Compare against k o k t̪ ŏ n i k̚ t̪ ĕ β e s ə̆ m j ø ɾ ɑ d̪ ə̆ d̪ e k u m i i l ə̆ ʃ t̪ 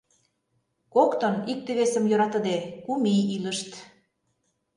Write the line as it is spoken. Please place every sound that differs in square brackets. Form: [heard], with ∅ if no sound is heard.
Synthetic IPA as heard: k o k t̪ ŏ n i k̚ t̪ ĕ β e s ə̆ m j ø ɾ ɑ [t̪] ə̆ d̪ e k u m i i l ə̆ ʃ t̪